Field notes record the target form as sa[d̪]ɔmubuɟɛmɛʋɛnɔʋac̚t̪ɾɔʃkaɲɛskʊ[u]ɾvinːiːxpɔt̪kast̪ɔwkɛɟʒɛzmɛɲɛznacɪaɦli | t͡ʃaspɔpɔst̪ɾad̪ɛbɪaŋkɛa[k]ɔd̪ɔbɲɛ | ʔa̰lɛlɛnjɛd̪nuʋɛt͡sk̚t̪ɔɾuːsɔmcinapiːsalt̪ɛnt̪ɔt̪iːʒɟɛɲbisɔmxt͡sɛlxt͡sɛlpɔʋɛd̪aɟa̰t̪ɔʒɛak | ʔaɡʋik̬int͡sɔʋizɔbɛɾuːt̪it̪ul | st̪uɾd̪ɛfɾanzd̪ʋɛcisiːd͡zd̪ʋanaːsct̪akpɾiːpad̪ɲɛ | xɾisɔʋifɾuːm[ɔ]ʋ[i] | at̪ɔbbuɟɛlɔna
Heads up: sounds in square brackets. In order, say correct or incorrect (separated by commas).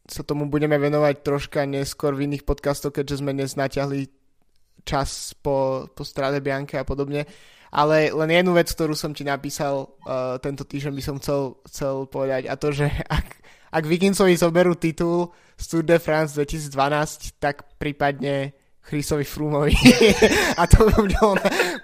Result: incorrect, incorrect, incorrect, correct, correct